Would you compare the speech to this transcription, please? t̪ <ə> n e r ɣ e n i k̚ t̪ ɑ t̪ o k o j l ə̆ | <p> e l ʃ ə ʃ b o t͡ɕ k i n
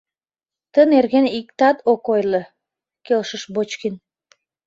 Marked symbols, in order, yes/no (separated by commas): yes, no